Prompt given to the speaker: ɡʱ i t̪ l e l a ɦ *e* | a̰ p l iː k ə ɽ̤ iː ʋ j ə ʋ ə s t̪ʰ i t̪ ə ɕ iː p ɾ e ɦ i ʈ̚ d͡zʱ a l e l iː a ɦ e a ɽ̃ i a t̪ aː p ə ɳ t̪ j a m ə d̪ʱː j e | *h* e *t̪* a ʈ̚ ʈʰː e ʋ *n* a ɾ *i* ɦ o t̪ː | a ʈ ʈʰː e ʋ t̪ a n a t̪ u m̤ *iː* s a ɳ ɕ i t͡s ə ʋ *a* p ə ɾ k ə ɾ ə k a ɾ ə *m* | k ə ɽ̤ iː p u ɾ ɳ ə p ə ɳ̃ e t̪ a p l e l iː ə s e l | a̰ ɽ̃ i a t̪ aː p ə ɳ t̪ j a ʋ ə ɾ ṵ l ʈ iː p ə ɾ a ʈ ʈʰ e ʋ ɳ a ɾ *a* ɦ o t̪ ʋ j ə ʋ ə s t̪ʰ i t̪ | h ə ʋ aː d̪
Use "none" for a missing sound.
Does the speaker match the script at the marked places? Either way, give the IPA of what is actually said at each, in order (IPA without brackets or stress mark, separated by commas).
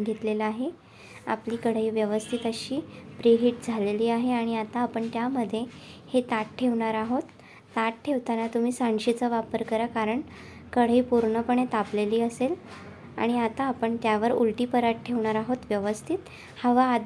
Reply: e, h, t̪, ɳ, a, iː, a, ɳ, a